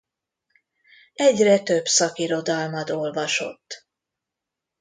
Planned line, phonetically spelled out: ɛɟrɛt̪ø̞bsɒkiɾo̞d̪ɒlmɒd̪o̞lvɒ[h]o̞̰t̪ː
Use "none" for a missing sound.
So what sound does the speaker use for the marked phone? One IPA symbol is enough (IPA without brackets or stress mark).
ʃ